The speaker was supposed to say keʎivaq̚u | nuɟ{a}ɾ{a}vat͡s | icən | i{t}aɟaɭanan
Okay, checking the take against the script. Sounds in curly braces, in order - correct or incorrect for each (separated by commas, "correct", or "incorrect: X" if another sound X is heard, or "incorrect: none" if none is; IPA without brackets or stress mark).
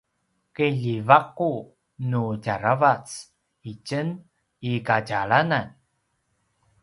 correct, correct, incorrect: k